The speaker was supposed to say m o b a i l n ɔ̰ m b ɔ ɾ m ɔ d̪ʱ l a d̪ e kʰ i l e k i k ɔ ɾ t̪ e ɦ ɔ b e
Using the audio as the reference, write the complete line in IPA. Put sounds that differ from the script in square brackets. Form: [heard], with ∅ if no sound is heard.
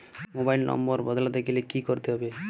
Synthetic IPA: m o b a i l n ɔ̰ m b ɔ ɾ [b] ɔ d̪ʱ l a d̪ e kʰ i l e k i k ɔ ɾ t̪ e ɦ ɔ b e